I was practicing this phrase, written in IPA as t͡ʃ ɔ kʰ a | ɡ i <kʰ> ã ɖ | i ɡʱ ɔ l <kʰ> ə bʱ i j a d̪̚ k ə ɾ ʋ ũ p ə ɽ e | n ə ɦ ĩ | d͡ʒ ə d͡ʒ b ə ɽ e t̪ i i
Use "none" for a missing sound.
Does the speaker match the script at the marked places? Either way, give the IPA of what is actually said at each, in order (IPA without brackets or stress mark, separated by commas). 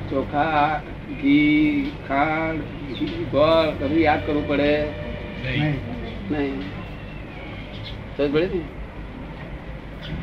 kʰ, k